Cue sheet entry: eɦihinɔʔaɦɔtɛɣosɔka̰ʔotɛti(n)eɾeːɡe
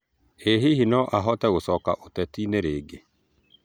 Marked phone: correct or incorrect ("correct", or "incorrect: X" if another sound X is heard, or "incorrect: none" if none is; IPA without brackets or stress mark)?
correct